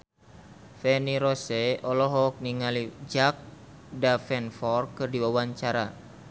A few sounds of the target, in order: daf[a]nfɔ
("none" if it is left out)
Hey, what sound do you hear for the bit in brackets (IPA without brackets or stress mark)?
ɛ